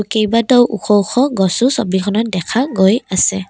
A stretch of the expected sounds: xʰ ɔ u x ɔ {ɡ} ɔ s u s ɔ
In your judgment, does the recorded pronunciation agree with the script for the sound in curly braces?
yes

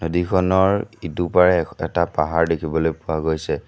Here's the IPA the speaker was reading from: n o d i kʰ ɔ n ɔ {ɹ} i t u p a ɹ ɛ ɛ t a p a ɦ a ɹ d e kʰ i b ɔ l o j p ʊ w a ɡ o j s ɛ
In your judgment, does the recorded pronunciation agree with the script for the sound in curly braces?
yes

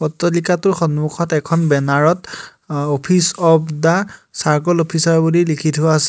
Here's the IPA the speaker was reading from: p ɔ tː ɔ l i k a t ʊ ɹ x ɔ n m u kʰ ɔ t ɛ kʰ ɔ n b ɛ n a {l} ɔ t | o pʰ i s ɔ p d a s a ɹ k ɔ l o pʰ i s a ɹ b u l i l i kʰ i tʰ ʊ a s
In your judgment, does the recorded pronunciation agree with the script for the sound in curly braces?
no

